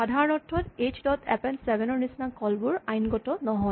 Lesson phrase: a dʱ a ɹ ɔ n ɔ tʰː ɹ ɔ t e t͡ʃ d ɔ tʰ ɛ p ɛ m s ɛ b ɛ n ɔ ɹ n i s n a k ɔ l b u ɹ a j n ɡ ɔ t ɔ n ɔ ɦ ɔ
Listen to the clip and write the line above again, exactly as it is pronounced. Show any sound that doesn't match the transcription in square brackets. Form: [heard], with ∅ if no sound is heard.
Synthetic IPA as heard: a dʱ a ɹ ɔ n ɔ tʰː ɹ ɔ t e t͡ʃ d ɔ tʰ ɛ p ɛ [n] s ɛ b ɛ n ɔ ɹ n i s n a k ɔ l b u ɹ a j n ɡ ɔ t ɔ n ɔ ɦ ɔ

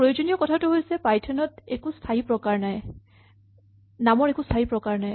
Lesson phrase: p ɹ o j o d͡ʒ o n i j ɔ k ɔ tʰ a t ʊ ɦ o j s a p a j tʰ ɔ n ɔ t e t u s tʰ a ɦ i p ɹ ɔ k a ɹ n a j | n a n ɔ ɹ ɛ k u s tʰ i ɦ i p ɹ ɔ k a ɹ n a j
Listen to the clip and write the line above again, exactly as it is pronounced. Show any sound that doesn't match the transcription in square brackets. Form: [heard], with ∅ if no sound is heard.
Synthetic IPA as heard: p ɹ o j o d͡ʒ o n i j ɔ k ɔ tʰ a t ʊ ɦ o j s [ɛ] p a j tʰ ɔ n ɔ t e [k] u s tʰ a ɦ i p ɹ ɔ k a ɹ n a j | n a [m] ɔ ɹ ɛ k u s tʰ [a] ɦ i p ɹ ɔ k a ɹ n a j

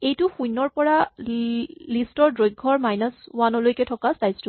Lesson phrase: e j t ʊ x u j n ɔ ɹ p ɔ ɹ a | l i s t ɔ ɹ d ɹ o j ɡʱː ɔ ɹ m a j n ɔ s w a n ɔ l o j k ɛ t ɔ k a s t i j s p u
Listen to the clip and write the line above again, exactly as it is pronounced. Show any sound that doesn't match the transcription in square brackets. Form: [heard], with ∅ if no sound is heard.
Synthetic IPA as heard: e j t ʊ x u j n ɔ ɹ p ɔ ɹ a | l i s t ɔ ɹ d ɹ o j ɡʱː ɔ ɹ m a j n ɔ s w a n ɔ l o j k ɛ [tʰ] ɔ k a s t [a] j s [t] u

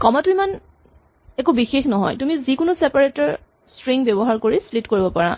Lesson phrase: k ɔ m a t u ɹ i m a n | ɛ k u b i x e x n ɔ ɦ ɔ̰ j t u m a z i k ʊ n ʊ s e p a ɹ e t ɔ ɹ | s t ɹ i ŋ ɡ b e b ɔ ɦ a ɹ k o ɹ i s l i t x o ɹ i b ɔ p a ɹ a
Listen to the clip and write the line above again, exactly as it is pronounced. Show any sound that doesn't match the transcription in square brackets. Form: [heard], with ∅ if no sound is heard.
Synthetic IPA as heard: k ɔ m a t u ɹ i m a n | ɛ k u b i x e x n ɔ ɦ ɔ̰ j t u m [i] z i k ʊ n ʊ s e p a ɹ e t ɔ ɹ | s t ɹ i ŋ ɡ b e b ɔ ɦ a ɹ k o ɹ i s l i t [k] o ɹ i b ɔ p a ɹ a

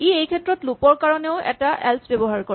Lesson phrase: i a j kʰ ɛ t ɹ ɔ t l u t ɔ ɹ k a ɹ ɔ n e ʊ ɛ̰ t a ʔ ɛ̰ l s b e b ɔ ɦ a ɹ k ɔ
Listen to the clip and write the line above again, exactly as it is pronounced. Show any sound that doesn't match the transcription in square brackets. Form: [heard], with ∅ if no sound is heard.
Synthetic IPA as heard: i [e] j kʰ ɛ t ɹ ɔ t l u [p] ɔ ɹ k a ɹ ɔ n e ʊ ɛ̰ t a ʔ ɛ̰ l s b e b ɔ ɦ a ɹ k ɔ

